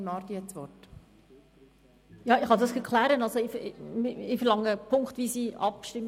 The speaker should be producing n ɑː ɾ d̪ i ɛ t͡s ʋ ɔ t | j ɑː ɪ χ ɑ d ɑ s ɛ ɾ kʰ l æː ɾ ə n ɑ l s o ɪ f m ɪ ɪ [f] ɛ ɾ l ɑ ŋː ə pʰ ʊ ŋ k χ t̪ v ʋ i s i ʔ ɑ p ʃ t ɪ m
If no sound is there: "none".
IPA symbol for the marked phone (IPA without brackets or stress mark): f